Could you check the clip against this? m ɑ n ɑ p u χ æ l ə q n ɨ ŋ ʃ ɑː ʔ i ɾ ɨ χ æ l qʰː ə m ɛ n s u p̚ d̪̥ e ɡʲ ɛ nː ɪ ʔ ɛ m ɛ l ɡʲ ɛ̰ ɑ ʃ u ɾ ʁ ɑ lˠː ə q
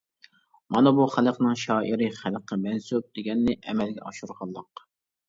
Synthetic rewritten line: m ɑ n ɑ b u χ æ l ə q n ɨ ŋ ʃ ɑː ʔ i ɾ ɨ χ æ l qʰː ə m ɛ n s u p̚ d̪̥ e ɡʲ ɛ nː ɪ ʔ ɛ m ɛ l ɡʲ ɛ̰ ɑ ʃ u ɾ ʁ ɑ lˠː ə q